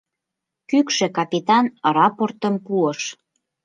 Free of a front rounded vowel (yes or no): no